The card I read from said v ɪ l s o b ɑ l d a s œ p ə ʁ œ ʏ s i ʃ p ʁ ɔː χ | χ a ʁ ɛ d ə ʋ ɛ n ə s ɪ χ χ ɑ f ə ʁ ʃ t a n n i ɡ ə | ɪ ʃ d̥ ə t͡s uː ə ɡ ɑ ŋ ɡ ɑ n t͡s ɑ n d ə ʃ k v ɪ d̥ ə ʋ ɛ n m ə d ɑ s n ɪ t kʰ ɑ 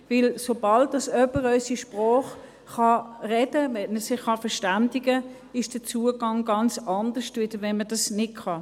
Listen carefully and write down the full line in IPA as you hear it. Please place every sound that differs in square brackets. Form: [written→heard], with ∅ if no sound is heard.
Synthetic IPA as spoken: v ɪ l s o b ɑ l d [a→ɑ] s œ p ə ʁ œ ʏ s i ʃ p ʁ ɔː χ | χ [a→ɑ] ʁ ɛ d ə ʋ ɛ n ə s ɪ χ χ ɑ f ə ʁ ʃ t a n [n→d] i ɡ ə | ɪ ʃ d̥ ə t͡s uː ə ɡ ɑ ŋ ɡ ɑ n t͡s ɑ n d ə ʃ [k→t] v ɪ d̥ ə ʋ ɛ n m ə d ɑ s n ɪ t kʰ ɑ